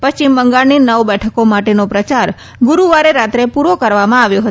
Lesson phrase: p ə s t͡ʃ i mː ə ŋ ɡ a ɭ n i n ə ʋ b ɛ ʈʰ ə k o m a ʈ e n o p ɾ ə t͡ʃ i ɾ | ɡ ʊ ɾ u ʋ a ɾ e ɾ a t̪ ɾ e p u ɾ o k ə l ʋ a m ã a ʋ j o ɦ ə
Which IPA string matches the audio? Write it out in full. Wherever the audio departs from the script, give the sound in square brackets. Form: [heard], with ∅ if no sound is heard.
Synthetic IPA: p ə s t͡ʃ i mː ə ŋ ɡ a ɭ n i n ə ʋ b ɛ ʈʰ ə k o m a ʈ e n o p ɾ ə t͡ʃ [a] ɾ | ɡ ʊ ɾ u ʋ a ɾ e ɾ a t̪ ɾ e p u ɾ o k ə [ɾ] ʋ a m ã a ʋ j o ɦ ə